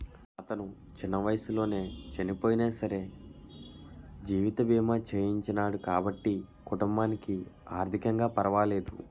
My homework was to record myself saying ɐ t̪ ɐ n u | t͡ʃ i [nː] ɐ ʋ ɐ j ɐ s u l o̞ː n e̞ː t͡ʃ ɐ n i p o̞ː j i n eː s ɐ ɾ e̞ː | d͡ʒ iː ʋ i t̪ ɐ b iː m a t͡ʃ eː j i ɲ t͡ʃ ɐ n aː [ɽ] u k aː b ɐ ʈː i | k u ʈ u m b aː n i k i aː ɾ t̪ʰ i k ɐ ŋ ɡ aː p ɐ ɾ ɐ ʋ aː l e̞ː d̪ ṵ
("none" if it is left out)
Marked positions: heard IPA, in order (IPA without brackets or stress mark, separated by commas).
nː, ɽ